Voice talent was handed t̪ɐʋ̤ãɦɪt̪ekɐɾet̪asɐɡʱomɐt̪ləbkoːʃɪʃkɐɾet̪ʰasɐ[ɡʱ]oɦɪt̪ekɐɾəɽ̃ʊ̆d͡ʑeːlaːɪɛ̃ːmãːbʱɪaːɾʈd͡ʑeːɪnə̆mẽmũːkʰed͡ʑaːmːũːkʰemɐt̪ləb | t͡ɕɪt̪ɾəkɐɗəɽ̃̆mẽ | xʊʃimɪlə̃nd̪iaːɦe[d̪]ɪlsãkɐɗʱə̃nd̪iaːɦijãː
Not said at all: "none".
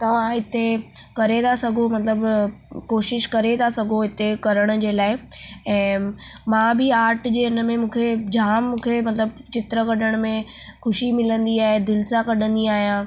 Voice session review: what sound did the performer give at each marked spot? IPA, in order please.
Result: ɡʱ, d̪

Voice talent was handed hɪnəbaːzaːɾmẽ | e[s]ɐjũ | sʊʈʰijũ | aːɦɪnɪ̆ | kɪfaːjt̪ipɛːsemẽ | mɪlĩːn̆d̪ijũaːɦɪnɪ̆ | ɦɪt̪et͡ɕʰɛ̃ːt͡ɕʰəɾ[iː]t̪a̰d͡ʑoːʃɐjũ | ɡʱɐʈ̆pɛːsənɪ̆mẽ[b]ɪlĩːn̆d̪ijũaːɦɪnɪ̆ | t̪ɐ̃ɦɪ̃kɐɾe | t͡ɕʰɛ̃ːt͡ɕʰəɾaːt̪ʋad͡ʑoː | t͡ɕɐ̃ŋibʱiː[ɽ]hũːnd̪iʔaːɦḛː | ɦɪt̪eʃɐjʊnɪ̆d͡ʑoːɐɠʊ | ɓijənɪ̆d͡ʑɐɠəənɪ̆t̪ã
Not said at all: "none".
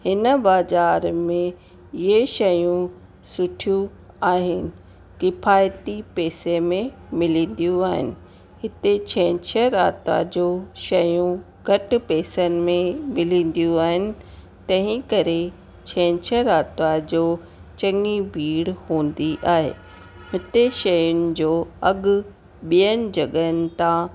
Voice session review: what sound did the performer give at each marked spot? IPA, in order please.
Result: ʃ, aː, m, ɽ

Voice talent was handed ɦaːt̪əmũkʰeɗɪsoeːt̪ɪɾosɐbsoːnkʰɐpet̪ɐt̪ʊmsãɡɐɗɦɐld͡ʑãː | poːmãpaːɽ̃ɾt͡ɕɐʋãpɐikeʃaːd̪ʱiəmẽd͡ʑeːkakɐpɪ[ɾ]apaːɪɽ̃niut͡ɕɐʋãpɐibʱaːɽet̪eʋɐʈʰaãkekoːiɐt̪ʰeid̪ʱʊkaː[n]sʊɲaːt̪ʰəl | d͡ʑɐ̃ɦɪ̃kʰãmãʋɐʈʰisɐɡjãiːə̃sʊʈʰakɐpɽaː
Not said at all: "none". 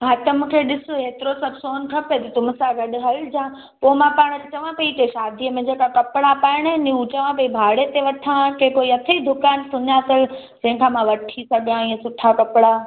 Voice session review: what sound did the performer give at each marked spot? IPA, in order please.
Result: ɽ, n

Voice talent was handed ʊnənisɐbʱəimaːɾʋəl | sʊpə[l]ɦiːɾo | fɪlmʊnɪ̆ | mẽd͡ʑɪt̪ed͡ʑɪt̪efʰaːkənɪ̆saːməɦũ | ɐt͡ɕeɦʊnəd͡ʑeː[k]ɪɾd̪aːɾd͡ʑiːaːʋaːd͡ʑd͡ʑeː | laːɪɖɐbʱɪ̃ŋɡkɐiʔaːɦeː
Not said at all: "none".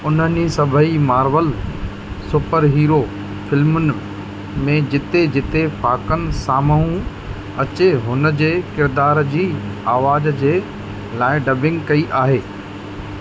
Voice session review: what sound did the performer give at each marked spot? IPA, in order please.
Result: ɾ, k

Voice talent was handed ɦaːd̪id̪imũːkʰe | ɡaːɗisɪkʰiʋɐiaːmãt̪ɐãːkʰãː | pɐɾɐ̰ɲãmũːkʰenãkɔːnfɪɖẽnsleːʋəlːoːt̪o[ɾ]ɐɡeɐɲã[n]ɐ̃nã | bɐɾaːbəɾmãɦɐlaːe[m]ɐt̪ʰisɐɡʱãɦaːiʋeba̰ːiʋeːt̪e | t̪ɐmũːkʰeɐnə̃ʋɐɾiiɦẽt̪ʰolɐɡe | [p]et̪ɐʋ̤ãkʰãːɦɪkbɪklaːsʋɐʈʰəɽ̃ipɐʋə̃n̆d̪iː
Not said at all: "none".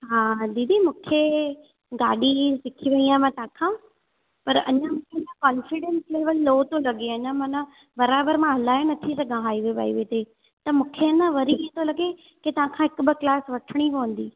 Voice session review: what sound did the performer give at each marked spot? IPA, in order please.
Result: l, m, n, k

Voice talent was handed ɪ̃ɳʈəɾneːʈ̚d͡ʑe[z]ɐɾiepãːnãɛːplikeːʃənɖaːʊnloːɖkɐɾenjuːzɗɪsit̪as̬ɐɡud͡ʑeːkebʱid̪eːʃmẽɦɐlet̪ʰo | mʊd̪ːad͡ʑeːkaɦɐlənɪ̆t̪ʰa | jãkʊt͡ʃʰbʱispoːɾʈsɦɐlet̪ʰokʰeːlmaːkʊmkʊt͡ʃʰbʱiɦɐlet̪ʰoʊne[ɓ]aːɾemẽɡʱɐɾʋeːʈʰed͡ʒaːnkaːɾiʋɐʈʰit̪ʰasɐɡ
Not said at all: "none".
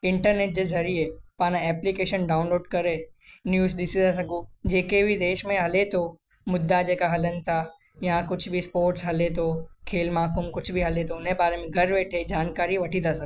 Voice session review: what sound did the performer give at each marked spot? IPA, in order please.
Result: z, b

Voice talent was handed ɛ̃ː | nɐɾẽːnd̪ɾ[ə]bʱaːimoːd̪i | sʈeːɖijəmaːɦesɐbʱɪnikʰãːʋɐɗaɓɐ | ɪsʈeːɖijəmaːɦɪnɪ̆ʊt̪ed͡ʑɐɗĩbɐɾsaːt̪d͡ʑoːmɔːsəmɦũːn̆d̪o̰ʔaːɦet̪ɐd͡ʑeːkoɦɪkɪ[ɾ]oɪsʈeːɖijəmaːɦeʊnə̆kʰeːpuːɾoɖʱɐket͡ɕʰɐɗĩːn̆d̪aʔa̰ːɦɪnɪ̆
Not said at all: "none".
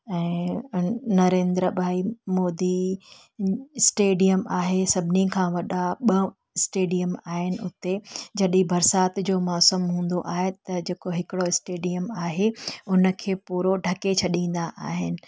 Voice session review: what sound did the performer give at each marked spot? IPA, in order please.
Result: ə, ɽ

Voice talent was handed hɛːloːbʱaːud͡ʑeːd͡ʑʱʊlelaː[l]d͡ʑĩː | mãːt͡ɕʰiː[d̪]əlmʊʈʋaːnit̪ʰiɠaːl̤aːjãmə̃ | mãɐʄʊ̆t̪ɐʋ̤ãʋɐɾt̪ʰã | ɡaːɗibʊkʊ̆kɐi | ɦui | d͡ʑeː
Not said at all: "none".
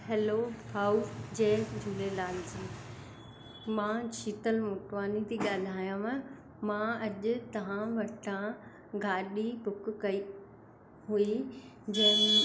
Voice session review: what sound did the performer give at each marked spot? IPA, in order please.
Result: l, t̪

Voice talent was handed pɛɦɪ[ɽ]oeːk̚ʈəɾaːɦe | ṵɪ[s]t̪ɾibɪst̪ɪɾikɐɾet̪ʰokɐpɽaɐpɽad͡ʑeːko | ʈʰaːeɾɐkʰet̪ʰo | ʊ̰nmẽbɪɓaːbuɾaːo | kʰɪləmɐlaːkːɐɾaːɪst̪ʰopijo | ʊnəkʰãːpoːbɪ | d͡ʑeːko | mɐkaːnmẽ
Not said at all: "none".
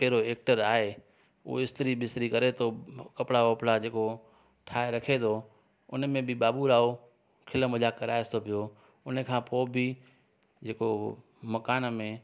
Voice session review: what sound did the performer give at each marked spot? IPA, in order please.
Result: ɾ, s

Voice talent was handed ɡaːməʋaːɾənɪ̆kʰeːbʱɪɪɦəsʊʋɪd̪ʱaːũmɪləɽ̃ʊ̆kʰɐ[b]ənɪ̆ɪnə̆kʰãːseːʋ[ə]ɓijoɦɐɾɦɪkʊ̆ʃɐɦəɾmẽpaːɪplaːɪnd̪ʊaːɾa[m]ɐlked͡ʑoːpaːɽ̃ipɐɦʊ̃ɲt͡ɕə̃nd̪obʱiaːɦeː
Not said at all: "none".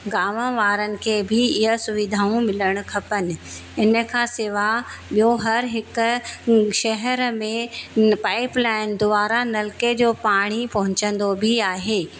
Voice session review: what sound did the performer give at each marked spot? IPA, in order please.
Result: p, a, n

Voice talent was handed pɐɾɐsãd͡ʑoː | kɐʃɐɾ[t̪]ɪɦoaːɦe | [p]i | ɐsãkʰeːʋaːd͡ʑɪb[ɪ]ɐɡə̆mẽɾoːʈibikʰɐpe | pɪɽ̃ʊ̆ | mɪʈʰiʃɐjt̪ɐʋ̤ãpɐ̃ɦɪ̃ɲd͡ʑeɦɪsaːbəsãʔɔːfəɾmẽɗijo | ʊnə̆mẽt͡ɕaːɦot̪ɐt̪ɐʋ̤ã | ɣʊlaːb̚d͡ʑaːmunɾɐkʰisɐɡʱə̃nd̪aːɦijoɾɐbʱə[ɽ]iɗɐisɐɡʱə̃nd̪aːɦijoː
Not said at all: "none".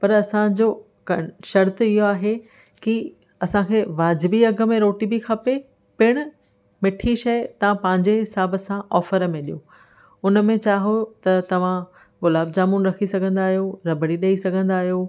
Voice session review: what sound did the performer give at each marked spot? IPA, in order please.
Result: t̪, k, i, ɽ

